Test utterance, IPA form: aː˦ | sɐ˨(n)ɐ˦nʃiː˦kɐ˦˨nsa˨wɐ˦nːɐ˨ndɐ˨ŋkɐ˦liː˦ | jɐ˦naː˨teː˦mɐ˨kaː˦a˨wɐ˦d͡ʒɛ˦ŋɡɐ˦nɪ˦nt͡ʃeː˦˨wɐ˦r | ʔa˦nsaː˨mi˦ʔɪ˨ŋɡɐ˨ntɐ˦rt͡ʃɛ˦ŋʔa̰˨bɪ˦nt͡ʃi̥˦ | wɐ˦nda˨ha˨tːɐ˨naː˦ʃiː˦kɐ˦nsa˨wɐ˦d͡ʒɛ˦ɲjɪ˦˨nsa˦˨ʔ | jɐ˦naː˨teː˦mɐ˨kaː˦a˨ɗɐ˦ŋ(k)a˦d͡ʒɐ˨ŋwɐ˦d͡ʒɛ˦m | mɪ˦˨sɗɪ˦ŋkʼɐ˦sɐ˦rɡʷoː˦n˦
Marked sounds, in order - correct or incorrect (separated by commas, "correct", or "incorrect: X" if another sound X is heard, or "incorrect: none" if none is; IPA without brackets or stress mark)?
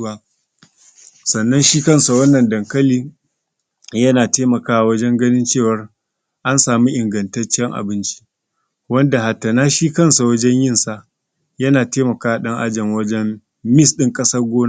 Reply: incorrect: nː, incorrect: ʔ